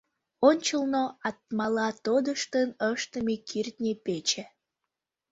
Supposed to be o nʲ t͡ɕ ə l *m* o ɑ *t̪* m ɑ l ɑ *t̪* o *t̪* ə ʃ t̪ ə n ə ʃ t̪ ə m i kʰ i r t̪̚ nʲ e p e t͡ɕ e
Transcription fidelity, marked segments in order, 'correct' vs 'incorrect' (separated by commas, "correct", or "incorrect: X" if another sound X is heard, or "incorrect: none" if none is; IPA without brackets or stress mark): incorrect: n, correct, correct, incorrect: d̪